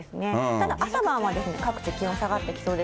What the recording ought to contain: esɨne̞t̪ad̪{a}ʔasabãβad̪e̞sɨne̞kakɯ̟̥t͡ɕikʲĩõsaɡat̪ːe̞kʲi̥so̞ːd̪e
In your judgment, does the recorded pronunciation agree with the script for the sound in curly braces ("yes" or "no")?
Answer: yes